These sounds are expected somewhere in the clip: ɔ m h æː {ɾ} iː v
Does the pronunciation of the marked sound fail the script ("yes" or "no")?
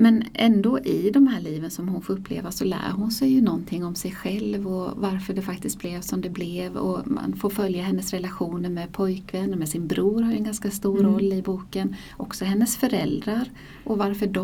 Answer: yes